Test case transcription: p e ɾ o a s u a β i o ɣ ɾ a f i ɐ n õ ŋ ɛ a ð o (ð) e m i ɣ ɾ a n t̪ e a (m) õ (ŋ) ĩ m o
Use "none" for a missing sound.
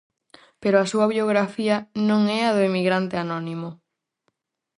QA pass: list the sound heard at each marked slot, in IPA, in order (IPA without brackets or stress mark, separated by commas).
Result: none, n, n